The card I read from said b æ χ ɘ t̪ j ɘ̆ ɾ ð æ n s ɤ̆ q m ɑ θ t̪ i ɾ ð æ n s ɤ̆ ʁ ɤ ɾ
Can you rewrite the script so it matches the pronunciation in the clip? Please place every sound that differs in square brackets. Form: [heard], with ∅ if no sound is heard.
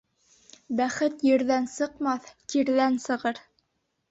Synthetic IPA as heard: b æ χ ɘ t̪ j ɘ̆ ɾ ð æ n s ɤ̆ q m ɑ θ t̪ i ɾ ð æ n s ɤ̆ ʁ ɤ ɾ